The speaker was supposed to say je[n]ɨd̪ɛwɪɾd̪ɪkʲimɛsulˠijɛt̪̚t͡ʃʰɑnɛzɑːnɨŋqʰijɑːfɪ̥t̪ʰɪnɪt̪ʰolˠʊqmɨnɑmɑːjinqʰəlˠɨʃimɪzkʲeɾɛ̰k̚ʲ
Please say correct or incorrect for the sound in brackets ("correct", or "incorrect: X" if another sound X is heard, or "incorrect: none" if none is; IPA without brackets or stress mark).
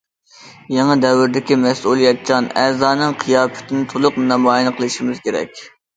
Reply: incorrect: ŋ